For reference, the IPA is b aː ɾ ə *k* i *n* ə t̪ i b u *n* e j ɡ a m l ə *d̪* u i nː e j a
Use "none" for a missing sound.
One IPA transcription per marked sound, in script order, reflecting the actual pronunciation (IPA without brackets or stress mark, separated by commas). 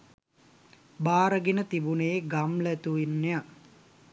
ɡ, n, n, t̪